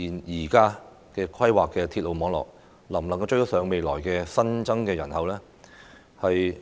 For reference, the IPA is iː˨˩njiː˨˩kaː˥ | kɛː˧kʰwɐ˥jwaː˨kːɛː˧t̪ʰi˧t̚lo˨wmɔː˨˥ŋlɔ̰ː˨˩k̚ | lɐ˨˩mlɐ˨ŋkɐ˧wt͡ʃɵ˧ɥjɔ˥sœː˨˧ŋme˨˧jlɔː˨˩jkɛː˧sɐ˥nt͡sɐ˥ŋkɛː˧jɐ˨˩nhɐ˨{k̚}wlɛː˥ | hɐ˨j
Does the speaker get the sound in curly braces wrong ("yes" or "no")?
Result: yes